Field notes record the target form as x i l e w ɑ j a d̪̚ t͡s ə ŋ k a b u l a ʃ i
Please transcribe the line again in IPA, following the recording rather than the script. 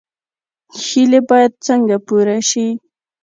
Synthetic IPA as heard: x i l e b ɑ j a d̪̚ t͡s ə ŋ ɡ a p u ɾ a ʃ i